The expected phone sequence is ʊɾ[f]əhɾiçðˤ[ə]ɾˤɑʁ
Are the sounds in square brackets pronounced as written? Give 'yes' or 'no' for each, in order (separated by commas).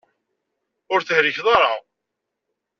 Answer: no, no